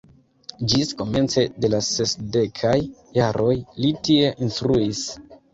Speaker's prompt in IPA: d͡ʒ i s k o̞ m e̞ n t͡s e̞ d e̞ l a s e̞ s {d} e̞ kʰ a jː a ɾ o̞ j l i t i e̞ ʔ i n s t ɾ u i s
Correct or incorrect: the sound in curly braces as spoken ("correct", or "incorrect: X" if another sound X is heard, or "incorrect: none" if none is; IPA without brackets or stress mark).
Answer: correct